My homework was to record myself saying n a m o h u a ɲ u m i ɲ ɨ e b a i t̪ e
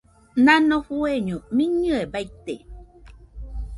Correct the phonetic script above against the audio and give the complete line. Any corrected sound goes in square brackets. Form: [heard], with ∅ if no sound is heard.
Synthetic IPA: n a [n] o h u [e] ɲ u m i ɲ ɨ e b a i t̪ e